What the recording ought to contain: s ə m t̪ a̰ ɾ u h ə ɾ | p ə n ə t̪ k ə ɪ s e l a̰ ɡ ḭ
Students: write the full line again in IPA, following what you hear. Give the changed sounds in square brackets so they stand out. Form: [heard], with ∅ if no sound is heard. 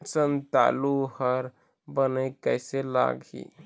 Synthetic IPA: s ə [n] t̪ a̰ [l] u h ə ɾ | [b] ə n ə [∅] k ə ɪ s e l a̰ ɡ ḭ